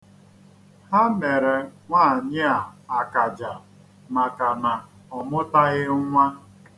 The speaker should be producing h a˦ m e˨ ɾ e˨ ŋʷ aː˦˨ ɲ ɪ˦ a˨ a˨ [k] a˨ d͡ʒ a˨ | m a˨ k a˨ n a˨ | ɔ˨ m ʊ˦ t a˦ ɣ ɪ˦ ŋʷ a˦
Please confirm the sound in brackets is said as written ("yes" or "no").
yes